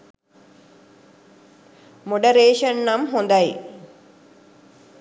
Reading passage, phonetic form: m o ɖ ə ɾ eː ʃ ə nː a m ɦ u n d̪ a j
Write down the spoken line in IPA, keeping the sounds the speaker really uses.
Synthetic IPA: m o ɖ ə ɾ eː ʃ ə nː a m ɦ o n d̪ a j